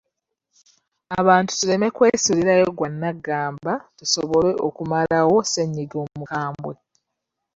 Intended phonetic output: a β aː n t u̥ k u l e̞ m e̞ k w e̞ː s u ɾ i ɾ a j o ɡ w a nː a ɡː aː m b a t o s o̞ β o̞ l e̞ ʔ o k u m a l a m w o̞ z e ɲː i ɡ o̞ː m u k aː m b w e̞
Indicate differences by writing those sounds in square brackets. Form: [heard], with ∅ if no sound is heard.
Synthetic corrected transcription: a β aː n t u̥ [t] u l e̞ m e̞ k w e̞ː s u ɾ i ɾ a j o ɡ w a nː a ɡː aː m b a t [u] s o̞ β o̞ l e̞ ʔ o k u m a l a [∅] w o̞ [s] e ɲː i ɡ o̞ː m u k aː m b w e̞